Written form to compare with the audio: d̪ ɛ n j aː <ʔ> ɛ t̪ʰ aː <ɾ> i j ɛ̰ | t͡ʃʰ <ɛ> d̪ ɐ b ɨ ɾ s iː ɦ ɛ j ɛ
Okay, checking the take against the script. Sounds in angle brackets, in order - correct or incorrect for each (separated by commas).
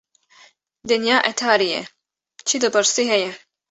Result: correct, correct, incorrect